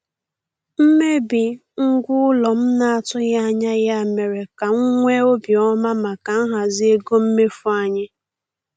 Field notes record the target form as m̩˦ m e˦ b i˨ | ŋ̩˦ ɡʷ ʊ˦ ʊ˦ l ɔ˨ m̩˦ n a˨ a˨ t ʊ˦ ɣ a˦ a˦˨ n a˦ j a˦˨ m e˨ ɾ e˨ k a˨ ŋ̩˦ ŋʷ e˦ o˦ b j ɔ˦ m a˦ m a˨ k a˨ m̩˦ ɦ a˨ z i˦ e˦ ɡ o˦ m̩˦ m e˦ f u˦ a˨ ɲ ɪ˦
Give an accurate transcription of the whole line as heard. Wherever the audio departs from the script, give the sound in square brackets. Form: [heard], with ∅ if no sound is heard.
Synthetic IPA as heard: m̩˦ m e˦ b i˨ | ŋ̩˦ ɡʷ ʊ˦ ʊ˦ l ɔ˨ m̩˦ n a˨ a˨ t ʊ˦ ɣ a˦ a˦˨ [ɲ] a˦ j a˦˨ m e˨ ɾ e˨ k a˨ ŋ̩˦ ŋʷ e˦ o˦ b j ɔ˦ m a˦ m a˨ k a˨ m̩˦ ɦ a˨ z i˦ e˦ ɡ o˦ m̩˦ m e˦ f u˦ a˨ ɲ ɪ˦